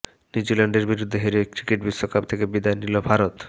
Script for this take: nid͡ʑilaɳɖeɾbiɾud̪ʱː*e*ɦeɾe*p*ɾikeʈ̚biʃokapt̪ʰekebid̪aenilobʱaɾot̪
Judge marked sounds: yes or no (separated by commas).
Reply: yes, no